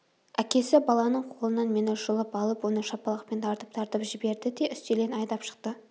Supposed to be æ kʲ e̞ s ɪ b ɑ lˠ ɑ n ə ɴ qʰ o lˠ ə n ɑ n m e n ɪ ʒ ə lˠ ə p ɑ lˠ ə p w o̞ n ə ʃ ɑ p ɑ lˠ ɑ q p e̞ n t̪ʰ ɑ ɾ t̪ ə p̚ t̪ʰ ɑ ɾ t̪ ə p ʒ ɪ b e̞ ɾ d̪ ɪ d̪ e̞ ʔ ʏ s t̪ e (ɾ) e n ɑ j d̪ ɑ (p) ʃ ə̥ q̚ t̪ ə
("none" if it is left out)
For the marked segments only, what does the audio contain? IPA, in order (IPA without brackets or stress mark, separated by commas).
l, p